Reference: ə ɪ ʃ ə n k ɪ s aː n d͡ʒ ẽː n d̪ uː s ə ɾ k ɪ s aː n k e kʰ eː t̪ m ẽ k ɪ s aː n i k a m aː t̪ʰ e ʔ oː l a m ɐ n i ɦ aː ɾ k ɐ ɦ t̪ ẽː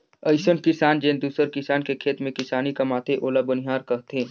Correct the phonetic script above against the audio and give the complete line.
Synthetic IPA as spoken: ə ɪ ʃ ə n k ɪ s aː n d͡ʒ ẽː n d̪ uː s ə ɾ k ɪ s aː n k e kʰ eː t̪ m ẽ k ɪ s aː n i k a m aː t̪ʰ e ʔ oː l a b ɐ n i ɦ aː ɾ k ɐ ɦ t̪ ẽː